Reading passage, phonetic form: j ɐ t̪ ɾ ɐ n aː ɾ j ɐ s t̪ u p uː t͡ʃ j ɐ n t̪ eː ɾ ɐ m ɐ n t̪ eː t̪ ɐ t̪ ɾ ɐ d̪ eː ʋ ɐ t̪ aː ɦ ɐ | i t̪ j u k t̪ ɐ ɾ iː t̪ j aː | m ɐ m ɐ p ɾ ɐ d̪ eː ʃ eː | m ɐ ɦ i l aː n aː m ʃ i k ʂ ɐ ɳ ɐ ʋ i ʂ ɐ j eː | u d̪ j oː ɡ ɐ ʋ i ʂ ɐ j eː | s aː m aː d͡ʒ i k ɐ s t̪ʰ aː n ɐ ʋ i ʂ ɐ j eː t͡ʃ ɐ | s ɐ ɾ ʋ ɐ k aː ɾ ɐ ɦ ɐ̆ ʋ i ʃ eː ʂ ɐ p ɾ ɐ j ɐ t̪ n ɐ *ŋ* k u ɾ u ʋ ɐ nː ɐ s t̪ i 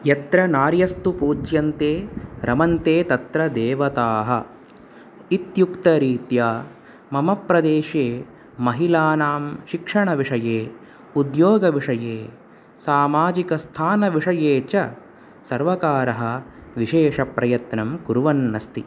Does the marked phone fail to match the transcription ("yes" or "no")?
yes